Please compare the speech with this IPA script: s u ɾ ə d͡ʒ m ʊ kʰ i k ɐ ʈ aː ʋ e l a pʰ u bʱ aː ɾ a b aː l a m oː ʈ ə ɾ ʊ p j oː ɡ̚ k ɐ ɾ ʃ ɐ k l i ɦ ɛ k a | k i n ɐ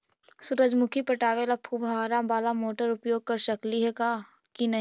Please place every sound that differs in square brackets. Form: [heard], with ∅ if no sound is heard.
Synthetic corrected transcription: s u ɾ ə d͡ʒ m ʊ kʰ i [p] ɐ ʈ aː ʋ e l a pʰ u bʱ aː ɾ a b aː l a m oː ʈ ə ɾ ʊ p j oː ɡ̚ k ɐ ɾ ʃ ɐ k l i ɦ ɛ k a | k i n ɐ